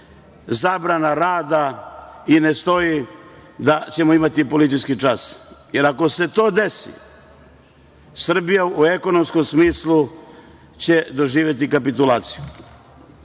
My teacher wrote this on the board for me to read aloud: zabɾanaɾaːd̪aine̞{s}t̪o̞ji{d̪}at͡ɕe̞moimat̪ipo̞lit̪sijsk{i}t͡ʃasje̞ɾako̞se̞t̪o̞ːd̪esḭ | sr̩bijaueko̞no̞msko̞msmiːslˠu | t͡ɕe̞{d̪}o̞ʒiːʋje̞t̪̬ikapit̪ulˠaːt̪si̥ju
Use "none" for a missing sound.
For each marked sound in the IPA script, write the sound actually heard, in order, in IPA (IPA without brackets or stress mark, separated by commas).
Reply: s, d̪, i, d̪